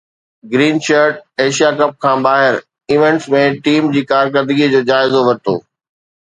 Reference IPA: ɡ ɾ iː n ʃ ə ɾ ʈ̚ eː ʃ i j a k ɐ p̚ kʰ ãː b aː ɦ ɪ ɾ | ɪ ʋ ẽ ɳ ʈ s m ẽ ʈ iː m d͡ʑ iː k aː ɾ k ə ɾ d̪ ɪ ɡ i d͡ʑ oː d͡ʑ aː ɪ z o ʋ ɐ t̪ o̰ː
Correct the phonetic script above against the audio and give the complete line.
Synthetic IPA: ɡ ɾ iː n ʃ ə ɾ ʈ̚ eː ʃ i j a k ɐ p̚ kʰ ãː b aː ɦ ɪ ɾ | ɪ ʋ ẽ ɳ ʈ s m ẽ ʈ iː m d͡ʑ iː k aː ɾ k ə ɾ d̪ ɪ ɡ i d͡ʑ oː d͡ʑ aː ɪ z o ʋ ɐ t̪ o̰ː